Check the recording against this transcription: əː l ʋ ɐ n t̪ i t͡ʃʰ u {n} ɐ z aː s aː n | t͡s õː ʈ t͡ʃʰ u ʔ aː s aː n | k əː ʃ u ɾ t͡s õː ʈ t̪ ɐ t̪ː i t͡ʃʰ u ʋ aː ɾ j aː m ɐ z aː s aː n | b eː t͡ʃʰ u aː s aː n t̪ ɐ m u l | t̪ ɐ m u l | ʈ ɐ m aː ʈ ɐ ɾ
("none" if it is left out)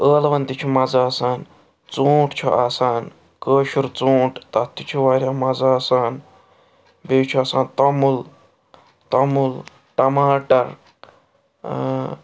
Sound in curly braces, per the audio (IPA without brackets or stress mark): m